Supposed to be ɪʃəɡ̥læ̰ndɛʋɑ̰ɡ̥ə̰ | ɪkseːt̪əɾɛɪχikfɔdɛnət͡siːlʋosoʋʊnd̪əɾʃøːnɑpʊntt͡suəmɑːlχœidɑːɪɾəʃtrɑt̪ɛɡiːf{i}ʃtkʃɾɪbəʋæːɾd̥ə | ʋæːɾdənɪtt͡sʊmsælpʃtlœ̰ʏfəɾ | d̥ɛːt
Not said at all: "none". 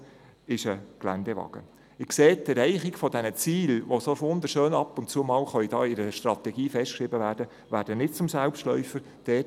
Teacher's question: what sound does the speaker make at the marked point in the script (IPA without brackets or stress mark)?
ɛ